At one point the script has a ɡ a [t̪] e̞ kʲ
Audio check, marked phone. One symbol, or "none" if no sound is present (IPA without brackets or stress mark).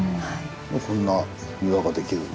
d̪